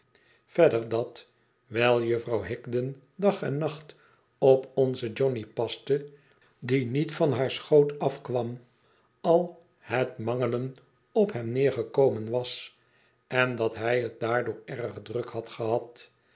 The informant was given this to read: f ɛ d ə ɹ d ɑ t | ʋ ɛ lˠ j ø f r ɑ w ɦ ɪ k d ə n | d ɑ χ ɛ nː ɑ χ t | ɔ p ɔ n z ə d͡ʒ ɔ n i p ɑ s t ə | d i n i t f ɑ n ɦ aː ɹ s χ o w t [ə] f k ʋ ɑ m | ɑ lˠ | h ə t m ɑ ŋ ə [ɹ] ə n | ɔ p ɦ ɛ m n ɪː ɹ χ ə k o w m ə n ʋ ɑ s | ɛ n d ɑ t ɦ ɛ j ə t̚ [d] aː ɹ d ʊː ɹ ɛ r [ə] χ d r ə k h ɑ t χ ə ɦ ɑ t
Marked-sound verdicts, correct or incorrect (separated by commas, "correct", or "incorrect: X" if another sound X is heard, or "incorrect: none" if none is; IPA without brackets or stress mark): incorrect: ɑ, incorrect: l, correct, correct